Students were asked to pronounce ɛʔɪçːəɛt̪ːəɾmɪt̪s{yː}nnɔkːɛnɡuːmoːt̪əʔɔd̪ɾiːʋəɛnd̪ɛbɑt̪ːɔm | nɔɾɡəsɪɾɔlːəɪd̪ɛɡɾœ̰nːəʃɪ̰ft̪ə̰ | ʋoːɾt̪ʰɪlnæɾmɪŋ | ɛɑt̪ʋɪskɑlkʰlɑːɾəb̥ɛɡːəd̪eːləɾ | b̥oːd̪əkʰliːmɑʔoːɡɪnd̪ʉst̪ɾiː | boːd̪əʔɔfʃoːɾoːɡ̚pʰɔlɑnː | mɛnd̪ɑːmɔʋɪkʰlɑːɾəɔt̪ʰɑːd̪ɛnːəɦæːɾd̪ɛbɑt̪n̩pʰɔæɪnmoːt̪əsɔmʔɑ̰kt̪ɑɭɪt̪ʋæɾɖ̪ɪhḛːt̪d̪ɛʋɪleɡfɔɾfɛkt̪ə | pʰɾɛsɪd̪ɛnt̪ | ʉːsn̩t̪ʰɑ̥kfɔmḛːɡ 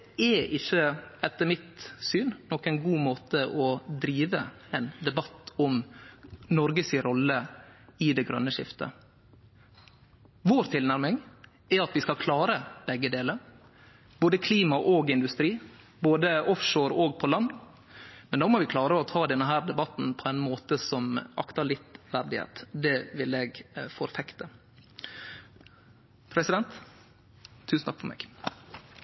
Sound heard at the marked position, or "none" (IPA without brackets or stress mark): yː